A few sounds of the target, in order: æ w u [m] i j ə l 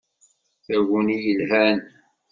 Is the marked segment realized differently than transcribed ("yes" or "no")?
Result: yes